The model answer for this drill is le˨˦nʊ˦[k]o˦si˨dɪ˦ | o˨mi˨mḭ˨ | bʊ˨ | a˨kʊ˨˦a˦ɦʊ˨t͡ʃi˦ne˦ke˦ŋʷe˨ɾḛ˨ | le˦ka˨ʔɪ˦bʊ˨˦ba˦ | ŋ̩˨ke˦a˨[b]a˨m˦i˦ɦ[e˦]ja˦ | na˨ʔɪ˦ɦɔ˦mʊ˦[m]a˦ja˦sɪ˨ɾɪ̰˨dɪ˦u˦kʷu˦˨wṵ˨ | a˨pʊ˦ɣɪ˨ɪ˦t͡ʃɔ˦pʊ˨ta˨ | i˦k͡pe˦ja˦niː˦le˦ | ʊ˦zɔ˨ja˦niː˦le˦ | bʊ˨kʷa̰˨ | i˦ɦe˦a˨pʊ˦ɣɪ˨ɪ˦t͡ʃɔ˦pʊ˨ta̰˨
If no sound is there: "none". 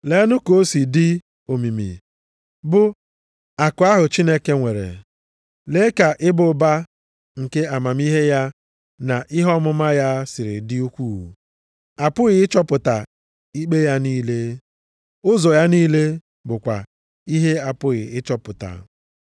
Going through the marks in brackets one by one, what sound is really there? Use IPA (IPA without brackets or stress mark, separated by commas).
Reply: k, m, e˦, m